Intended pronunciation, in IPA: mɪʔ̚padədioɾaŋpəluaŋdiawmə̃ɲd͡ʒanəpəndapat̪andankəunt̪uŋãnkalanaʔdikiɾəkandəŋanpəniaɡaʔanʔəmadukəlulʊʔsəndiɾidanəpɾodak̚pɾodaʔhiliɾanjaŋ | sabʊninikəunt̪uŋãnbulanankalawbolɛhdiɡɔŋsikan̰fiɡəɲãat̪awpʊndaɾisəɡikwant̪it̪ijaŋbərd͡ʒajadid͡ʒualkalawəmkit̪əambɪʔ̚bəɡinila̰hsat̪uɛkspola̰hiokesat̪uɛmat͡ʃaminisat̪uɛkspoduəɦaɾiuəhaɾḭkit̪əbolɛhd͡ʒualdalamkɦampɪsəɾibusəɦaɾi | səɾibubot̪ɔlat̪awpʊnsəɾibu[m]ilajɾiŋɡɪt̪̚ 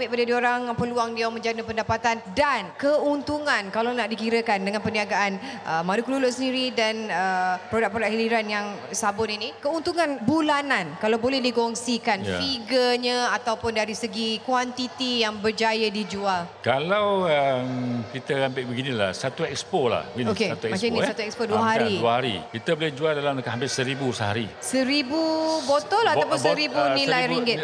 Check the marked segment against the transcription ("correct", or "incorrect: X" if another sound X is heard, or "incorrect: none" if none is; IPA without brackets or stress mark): incorrect: n